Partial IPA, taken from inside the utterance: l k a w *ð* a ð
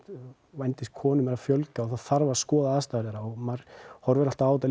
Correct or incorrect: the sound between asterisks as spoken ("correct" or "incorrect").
incorrect